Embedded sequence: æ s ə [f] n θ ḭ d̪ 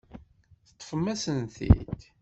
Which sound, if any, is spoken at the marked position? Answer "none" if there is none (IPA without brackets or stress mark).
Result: none